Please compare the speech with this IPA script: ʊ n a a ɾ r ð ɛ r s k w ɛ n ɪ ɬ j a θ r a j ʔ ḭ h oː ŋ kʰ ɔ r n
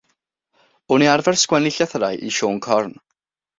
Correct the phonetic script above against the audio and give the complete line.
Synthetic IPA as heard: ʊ n i a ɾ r v ɛ r s k w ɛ n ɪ ɬ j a θ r a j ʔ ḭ ʃ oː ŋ kʰ ɔ r n